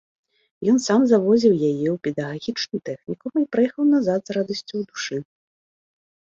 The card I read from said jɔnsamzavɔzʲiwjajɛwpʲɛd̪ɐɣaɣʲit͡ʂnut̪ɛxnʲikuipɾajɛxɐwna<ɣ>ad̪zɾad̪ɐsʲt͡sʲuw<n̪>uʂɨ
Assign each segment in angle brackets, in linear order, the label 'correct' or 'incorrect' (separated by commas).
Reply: incorrect, incorrect